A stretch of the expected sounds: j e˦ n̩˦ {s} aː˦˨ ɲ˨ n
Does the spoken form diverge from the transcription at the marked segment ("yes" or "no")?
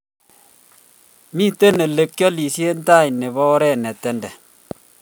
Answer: yes